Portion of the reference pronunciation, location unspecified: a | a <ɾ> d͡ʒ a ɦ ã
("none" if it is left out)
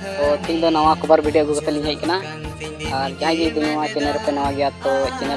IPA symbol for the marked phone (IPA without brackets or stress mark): ɾ